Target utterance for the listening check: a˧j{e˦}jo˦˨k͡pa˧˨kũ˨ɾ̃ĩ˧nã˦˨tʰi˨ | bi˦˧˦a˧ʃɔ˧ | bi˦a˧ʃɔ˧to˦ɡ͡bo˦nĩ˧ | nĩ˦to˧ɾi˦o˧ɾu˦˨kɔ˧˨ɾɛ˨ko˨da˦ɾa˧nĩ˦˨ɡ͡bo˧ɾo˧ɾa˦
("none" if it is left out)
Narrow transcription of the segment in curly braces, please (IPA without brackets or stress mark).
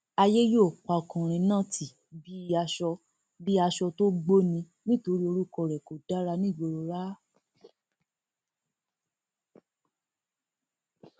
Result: e˦